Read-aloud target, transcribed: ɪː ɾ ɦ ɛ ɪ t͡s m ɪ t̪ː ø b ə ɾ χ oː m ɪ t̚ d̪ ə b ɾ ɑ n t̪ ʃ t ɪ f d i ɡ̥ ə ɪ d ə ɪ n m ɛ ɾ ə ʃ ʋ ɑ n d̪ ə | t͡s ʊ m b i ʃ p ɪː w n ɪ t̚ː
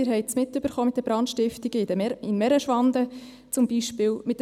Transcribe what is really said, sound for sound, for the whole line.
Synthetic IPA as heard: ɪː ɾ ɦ ɛ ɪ t͡s m ɪ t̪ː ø b ə ɾ χ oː m ɪ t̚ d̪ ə b ɾ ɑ n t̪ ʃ t ɪ f t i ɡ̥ ə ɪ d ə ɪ n m ɛ ɾ ə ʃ ʋ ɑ n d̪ ə | t͡s ʊ m b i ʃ p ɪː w m ɪ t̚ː